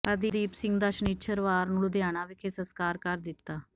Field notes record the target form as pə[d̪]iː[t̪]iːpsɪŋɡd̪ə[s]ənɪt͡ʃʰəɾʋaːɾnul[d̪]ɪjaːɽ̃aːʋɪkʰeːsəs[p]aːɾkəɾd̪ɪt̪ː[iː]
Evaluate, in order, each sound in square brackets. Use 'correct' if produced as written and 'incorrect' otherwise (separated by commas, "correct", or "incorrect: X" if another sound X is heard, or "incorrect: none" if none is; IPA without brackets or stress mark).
correct, incorrect: d̪, incorrect: ʃ, correct, incorrect: k, incorrect: aː